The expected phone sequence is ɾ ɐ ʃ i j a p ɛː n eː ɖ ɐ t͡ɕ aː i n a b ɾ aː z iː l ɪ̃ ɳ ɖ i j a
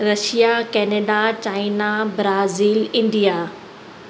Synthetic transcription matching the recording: ɾ ɐ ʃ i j a k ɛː n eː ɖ a t͡ɕ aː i n a b ɾ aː z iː l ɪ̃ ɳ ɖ i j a